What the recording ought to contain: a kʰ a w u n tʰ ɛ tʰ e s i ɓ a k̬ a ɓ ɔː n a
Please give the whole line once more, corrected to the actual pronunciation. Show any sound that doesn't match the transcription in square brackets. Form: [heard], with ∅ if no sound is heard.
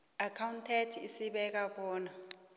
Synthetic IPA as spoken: a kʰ a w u n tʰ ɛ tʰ [i] s i ɓ [ɛ] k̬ a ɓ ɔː n a